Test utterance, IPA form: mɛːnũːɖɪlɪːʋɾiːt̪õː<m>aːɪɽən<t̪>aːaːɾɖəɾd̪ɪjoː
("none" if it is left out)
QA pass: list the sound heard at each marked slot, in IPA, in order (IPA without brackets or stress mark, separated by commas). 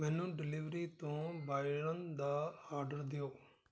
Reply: b, d̪